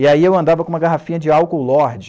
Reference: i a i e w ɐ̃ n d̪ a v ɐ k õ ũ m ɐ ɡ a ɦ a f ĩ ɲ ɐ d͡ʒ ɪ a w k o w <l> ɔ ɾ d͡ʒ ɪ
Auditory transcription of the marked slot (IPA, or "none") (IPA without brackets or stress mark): l